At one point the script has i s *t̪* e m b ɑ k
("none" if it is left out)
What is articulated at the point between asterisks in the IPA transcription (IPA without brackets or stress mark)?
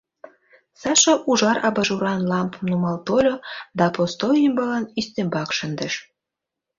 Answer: t̪